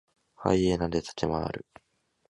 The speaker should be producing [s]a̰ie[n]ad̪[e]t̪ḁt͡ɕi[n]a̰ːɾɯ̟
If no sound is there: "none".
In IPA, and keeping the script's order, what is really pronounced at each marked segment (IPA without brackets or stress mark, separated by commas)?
h, n, e, m